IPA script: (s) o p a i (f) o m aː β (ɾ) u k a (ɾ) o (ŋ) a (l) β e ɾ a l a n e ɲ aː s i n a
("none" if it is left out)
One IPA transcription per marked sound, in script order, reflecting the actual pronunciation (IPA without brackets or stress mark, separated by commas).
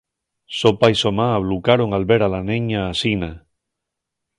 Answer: s, s, l, ɾ, ŋ, l